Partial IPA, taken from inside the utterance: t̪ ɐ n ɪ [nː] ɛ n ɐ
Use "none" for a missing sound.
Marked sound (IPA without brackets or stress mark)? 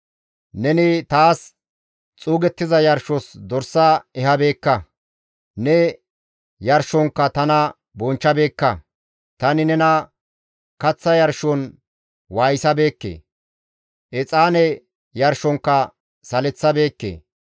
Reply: n